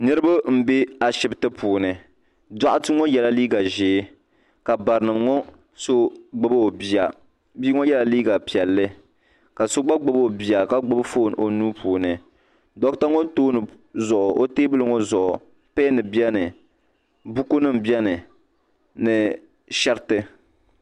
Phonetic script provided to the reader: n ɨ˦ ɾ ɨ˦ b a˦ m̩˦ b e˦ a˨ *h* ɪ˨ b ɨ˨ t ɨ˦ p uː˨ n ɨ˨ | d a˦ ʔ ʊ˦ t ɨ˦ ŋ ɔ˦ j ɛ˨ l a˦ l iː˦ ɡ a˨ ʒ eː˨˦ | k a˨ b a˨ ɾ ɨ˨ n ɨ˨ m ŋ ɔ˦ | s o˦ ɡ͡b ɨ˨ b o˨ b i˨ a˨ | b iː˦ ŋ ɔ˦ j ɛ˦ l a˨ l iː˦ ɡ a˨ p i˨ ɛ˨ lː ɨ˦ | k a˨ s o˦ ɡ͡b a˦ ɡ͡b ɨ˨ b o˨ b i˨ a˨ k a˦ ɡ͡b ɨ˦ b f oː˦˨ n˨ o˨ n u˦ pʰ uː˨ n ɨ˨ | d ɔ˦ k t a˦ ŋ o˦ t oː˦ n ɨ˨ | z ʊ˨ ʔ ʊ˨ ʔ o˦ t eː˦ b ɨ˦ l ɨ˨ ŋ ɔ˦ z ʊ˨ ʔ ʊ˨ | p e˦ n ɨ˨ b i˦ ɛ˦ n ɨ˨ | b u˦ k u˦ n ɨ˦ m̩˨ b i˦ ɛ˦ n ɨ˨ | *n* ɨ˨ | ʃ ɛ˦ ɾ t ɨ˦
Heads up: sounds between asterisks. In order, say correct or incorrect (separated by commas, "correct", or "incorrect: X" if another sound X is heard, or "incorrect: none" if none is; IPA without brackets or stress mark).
incorrect: ʃ, correct